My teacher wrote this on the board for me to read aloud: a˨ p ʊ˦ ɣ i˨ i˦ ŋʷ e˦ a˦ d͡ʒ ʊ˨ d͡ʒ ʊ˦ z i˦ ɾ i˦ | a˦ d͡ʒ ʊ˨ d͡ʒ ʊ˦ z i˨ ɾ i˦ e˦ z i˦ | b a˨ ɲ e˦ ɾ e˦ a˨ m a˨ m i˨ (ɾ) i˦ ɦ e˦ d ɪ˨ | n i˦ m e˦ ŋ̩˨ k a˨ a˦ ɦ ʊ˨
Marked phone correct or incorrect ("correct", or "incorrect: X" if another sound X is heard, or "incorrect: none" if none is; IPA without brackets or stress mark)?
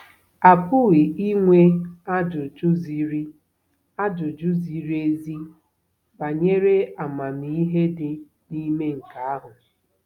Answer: incorrect: none